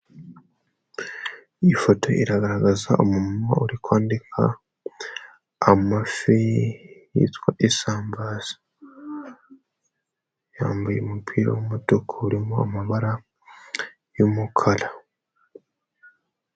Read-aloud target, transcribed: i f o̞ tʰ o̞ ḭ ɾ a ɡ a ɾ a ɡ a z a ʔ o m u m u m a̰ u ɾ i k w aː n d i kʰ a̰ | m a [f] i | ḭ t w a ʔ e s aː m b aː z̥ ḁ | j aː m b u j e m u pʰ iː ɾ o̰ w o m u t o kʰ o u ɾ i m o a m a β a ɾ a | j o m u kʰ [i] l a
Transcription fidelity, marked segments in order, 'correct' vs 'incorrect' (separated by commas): correct, incorrect